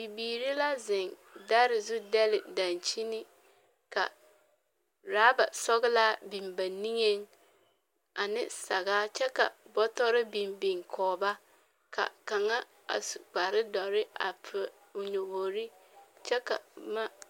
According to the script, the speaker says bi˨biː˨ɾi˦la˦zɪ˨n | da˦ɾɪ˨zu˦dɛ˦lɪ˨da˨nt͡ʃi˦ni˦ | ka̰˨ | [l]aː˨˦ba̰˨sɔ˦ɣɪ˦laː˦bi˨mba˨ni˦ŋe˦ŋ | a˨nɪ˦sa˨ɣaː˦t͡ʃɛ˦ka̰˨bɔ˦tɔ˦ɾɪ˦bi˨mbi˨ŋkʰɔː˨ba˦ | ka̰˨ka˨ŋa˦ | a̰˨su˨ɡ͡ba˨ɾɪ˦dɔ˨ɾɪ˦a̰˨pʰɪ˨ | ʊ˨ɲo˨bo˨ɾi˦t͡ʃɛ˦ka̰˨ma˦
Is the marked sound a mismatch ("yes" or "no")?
yes